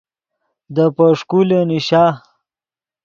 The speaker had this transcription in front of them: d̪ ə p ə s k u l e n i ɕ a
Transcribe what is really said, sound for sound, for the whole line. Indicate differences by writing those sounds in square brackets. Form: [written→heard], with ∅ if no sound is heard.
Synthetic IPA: d̪ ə p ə [s→ʂ] k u l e n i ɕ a